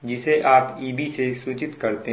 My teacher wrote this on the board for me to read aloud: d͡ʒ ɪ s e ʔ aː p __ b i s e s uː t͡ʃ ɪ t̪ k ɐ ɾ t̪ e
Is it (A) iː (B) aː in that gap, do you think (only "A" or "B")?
A